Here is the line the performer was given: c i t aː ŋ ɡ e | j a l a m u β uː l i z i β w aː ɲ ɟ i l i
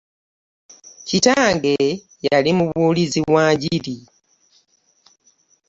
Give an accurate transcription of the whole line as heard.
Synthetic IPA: c i t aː ŋ ɡ e | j a l i m u β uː l i z i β w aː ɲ ɟ i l i

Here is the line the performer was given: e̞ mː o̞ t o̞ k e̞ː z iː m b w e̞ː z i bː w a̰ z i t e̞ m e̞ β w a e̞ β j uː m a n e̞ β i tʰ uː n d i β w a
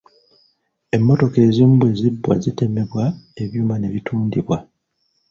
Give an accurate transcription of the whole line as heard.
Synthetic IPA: e̞ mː o̞ t o̞ k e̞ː z iː m b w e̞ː z i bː w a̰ z i t e̞ m e̞ β w a e̞ β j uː m a n e̞ β i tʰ uː n d i β w a

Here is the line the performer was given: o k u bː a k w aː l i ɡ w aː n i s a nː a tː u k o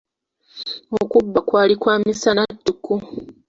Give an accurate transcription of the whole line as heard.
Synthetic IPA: o k u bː a k w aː l i k w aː m i s a n a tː u k u

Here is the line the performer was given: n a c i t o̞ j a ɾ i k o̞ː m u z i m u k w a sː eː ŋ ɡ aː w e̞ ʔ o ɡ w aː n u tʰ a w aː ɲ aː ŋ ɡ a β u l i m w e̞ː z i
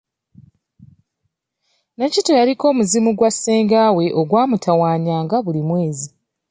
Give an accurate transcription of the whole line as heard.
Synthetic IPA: n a c i t o̞ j a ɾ i k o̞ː m u z i m u ɡ w a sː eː ŋ ɡ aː w e̞ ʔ o ɡ w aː m u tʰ a w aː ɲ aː ŋ ɡ a β u l i m w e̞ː z i

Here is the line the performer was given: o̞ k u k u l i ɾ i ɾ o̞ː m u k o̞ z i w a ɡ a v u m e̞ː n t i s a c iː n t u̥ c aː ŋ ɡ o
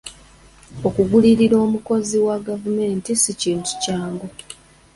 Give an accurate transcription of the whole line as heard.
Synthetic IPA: o̞ k u ɡ u l i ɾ i ɾ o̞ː m u k o̞ z i w a ɡ a v u m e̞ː n t i s i c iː n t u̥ c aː ŋ ɡ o

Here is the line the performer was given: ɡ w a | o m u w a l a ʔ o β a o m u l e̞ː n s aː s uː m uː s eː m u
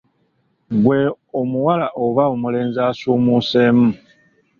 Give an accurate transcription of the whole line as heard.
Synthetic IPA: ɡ w e | o m u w a l a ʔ o β a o m u l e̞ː n z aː s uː m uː s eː m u

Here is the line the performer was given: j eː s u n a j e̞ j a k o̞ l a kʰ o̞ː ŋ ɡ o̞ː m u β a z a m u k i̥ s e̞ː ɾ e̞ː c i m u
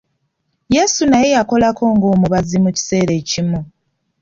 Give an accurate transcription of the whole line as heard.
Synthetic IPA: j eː s u n a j e̞ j a k o̞ l a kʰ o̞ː ŋ ɡ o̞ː m u β a z i m u c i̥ s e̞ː ɾ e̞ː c i m u

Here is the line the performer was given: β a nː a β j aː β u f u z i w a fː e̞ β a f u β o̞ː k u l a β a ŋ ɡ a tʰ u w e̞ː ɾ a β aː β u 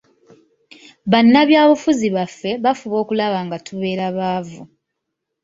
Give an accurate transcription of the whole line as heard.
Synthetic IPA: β a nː a β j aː β u f u z i β a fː e̞ β a f u β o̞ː k u l a β a ŋ ɡ a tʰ u β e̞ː ɾ a β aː v u

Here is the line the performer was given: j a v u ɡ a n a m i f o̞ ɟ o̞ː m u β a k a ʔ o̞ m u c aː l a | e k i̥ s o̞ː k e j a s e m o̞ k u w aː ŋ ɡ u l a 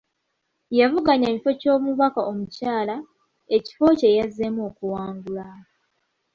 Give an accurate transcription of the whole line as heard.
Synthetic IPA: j a v u ɡ a ɲ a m i f o̞ c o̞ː m u β a k a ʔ o̞ m u c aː l a | e c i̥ f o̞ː c e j a z e m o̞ k u w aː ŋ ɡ u l a

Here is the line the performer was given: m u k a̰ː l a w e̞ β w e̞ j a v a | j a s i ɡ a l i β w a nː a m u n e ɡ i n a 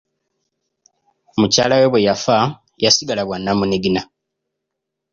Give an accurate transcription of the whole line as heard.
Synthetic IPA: m u c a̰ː l a w e̞ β w e̞ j a f a | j a s i ɡ a l a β w a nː a m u n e ɡ i n a

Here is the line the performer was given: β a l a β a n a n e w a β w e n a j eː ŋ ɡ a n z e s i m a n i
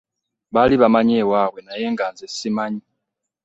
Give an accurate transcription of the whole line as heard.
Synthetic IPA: β a l i β a m a ɲ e w a β w e n a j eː ŋ ɡ a n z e s i m a ɲ i

